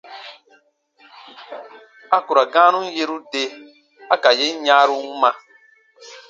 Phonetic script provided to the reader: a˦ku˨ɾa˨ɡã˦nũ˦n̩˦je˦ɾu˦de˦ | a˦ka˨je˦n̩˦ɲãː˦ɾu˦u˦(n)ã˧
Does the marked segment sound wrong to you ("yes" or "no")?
yes